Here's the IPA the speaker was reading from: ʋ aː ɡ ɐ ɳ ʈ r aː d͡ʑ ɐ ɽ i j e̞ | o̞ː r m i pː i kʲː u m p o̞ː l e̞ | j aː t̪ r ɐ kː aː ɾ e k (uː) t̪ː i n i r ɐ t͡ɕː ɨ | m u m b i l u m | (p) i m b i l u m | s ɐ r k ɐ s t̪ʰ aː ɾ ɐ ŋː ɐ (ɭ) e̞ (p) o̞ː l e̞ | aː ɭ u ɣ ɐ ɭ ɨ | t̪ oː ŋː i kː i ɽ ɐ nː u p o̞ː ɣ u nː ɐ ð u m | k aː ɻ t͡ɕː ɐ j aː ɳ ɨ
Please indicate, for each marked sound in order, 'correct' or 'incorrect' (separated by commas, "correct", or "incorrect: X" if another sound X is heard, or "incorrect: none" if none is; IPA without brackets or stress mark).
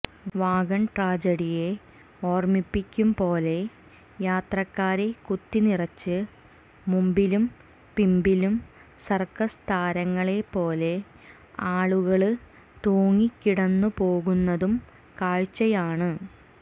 incorrect: u, correct, correct, correct